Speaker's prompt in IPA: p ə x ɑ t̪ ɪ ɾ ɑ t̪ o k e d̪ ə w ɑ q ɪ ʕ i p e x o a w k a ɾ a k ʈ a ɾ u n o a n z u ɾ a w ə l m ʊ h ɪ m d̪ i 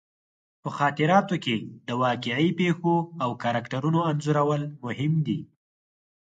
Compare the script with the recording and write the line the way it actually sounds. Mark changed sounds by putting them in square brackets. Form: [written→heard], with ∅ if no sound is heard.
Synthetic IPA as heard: p ə x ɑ t̪ ɪ ɾ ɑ t̪ o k e d̪ ə w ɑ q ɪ ʕ i p e x o a w k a ɾ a k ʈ a ɾ u n o a n z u ɾ a w ə l m ʊ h ɪ m d̪ i